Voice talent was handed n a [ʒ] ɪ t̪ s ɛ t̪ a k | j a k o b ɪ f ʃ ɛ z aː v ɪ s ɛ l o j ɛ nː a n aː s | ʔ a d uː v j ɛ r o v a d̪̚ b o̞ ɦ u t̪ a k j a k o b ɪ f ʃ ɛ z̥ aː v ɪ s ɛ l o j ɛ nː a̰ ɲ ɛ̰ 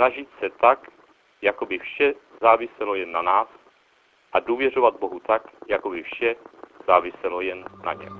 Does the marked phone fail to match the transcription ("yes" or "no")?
no